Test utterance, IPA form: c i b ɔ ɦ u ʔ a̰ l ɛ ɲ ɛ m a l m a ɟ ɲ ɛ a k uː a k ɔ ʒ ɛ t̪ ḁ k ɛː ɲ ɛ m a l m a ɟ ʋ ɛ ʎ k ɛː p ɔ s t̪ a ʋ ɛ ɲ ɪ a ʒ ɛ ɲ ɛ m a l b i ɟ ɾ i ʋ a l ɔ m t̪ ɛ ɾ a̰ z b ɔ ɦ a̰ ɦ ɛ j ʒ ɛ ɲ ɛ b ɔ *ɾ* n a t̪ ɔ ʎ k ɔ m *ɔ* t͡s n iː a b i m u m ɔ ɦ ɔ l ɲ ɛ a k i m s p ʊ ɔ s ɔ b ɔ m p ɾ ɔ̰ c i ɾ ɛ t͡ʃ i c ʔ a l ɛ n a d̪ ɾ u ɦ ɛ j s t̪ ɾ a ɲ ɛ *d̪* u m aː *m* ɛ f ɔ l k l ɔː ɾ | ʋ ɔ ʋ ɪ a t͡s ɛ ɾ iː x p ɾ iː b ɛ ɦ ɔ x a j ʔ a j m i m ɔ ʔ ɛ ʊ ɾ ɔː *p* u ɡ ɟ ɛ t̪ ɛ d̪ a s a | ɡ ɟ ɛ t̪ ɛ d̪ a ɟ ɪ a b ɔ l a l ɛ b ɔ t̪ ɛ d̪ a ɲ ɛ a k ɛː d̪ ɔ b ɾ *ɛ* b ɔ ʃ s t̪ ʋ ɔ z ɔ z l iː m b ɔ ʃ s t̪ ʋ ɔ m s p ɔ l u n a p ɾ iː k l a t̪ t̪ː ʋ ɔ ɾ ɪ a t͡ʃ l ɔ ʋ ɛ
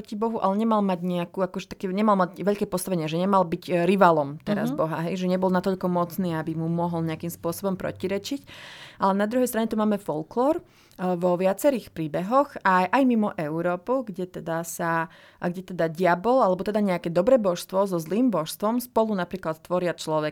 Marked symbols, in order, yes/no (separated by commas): no, yes, no, yes, yes, yes